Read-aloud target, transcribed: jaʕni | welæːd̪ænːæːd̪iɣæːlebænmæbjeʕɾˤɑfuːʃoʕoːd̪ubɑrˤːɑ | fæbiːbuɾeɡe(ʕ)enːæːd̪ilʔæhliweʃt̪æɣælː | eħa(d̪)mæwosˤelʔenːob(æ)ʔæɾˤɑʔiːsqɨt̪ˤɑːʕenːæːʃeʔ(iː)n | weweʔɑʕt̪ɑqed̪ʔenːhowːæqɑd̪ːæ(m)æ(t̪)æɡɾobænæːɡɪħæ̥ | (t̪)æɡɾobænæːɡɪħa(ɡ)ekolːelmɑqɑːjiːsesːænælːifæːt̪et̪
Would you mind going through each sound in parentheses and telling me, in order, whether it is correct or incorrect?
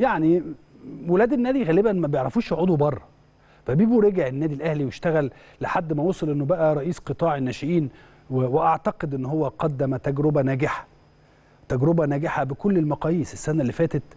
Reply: correct, incorrect: d̪ː, correct, correct, correct, correct, correct, incorrect: b

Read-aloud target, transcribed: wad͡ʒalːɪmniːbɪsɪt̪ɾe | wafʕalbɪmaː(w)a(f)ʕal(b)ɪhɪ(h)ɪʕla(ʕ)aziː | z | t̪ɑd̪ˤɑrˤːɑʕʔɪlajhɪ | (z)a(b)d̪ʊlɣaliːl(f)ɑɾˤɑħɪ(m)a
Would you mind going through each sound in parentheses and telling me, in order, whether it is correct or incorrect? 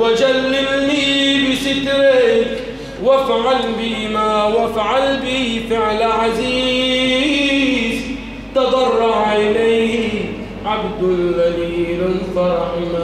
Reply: correct, correct, correct, incorrect: f, correct, incorrect: ʕ, correct, correct, correct

